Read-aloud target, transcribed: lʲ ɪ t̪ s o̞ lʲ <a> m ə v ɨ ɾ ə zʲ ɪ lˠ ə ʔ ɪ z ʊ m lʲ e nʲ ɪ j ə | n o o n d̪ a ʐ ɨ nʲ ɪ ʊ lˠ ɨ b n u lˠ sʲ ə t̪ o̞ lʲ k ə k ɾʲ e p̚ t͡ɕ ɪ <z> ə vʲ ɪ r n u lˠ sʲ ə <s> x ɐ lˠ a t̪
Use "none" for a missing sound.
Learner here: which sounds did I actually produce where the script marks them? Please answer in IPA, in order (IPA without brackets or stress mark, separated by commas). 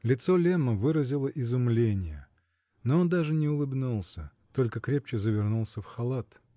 e, z, f